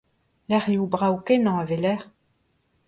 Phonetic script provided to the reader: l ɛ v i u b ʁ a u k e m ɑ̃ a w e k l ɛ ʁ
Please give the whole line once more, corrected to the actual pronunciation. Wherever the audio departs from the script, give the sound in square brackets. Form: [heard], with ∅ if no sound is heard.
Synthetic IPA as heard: l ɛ [ʁ] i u b ʁ a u k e [n] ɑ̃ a [v] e [∅] l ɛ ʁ